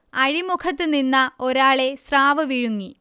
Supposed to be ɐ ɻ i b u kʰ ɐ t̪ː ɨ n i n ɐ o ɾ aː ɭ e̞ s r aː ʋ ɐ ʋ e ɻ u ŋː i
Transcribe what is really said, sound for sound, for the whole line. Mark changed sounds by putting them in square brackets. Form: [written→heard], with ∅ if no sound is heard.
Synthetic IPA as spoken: ɐ ɻ i [b→m] u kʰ ɐ t̪ː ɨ n i [n→nː] ɐ o ɾ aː ɭ e̞ s r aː ʋ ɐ ʋ [e→i] ɻ u ŋː i